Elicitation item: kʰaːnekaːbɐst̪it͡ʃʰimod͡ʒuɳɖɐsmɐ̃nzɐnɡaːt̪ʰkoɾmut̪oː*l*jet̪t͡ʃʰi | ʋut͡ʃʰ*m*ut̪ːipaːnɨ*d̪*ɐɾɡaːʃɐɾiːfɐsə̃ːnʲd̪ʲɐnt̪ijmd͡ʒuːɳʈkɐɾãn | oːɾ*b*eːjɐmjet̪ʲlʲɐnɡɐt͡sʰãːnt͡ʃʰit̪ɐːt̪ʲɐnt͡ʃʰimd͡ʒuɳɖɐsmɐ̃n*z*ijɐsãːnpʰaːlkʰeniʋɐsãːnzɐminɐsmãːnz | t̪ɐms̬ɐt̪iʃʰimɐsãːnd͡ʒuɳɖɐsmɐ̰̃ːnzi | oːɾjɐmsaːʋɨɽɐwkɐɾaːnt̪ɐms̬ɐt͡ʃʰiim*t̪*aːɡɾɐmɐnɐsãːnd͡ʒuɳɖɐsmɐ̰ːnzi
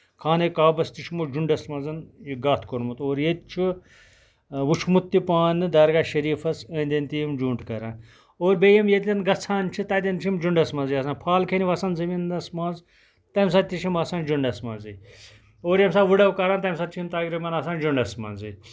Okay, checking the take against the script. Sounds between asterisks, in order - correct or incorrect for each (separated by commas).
incorrect, correct, correct, correct, correct, correct